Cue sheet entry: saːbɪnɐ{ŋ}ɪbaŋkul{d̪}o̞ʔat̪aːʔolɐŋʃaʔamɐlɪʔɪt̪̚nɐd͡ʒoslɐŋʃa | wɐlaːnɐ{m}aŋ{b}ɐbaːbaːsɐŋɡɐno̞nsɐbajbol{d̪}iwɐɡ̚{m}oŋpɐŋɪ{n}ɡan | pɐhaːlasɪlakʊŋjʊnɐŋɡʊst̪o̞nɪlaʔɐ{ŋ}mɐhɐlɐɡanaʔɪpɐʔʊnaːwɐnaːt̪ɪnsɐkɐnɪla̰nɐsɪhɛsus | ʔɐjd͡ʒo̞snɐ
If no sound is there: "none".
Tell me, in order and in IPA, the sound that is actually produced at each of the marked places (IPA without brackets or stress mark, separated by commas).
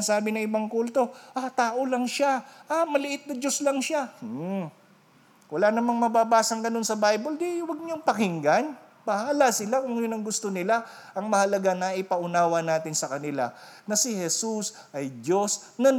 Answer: ŋ, t̪, m, m, d̪, ɲ, ŋ, ŋ